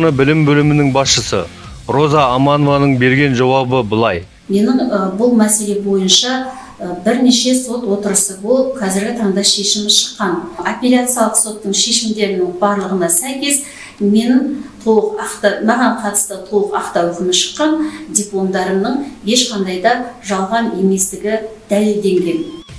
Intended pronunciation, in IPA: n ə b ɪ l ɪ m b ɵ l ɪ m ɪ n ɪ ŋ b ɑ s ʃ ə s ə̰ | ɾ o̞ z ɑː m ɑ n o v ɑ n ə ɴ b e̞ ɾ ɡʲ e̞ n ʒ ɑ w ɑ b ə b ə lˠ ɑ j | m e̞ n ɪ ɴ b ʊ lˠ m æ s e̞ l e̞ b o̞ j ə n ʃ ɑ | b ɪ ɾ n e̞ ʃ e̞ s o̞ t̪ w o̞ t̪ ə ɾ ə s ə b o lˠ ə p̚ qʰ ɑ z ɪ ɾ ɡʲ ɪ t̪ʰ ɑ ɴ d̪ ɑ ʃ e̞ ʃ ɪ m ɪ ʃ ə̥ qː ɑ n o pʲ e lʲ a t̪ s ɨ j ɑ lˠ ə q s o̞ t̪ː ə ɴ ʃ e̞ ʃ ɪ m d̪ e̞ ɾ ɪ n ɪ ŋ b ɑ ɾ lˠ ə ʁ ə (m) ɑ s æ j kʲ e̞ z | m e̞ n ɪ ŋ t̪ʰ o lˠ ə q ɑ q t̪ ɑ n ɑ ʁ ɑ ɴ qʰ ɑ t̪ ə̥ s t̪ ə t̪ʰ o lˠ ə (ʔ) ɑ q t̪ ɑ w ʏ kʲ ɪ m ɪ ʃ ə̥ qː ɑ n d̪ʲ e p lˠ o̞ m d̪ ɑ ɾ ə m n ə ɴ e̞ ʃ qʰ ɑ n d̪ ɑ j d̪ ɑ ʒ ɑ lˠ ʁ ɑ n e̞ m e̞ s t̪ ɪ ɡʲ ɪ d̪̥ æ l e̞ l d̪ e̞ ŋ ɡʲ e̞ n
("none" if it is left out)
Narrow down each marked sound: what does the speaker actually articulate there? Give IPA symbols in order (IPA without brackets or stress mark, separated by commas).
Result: n, q